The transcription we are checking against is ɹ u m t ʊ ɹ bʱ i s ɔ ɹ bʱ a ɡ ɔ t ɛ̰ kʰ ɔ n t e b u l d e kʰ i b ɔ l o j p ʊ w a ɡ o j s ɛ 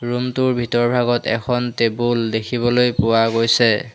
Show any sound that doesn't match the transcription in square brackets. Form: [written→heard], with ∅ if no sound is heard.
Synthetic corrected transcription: ɹ u m t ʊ ɹ bʱ i [s→t] ɔ ɹ bʱ a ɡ ɔ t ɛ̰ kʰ ɔ n t e b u l d e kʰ i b ɔ l o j p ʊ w a ɡ o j s ɛ